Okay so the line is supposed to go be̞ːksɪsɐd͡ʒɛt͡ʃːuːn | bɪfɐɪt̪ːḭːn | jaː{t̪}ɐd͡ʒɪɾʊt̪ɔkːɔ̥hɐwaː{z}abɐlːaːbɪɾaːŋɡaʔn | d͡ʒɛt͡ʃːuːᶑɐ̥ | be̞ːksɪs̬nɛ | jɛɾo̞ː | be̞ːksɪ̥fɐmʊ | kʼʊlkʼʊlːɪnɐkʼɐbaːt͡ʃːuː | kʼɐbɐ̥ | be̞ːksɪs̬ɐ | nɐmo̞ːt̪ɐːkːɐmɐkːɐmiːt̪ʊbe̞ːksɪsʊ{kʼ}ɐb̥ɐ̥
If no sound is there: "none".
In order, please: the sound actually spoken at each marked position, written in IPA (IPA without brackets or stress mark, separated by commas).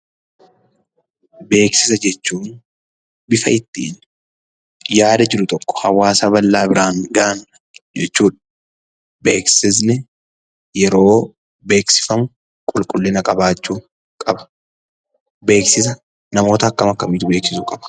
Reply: d̪, s, kʼ